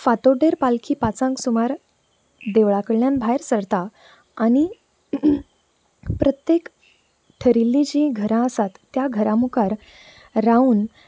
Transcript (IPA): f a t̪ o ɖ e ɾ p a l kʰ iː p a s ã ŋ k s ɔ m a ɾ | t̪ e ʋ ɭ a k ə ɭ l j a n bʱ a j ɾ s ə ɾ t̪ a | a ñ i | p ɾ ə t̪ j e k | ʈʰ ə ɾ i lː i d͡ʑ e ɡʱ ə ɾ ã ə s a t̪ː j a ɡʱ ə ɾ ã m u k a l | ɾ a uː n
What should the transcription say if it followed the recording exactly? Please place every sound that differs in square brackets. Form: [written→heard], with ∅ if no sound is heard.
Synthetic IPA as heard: f a t̪ o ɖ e ɾ p a l kʰ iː p a [s→t͡s] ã ŋ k s [ɔ→u] m a ɾ | [t̪→d̪] e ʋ ɭ a k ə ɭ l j a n bʱ a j ɾ s ə ɾ t̪ a | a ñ i | p ɾ ə t̪ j e k | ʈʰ ə ɾ i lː i d͡ʑ [e→i] ɡʱ ə ɾ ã ə s a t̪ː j a ɡʱ ə ɾ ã m u k a [l→ɾ] | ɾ a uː n